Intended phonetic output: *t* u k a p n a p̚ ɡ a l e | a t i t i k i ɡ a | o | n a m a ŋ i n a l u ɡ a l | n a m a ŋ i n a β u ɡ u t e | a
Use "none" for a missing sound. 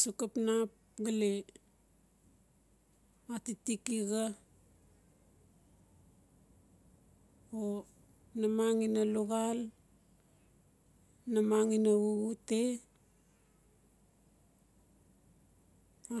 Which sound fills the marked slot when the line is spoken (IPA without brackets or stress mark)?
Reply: s